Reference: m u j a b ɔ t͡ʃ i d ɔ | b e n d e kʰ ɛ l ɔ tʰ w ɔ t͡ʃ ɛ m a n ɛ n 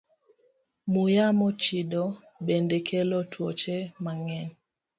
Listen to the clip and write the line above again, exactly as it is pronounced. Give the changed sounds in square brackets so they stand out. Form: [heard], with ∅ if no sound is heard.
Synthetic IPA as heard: m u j a [m] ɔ t͡ʃ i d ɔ | b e n d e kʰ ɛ l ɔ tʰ w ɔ t͡ʃ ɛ m a [ŋ] ɛ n